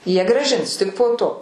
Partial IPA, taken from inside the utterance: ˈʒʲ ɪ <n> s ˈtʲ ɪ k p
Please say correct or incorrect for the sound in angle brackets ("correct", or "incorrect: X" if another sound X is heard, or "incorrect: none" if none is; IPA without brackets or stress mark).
correct